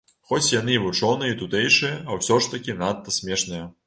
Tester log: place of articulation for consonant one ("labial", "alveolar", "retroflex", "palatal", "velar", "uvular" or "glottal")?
velar